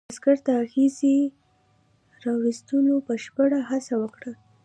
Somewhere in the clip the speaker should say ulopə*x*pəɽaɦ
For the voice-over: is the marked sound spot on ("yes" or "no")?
no